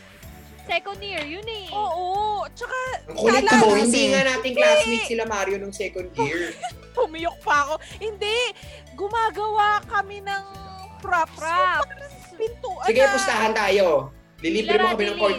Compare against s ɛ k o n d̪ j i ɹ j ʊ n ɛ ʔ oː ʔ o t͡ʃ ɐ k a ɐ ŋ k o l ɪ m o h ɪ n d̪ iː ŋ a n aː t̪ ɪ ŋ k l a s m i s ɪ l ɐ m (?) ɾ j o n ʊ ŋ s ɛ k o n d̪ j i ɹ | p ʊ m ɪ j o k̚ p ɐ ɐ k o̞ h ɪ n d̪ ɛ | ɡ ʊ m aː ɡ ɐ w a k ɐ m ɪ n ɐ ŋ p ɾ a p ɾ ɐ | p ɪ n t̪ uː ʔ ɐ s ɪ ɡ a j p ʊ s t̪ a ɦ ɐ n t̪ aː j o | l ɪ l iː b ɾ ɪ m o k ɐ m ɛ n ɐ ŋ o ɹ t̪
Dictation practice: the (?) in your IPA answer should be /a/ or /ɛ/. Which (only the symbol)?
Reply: a